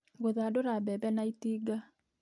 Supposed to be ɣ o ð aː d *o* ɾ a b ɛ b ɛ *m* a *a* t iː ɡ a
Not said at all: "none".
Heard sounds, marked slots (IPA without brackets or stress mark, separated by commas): o, n, i